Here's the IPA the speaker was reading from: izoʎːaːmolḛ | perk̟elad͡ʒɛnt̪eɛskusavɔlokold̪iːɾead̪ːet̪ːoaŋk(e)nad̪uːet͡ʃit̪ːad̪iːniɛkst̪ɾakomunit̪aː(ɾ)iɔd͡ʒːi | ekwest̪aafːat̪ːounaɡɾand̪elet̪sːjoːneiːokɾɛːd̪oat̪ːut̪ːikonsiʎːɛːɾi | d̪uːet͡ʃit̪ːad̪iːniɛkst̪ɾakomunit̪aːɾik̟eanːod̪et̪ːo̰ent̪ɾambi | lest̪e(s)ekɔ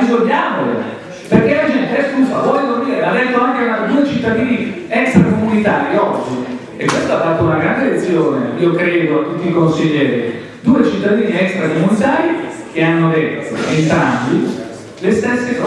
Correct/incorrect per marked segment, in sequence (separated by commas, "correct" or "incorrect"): correct, correct, incorrect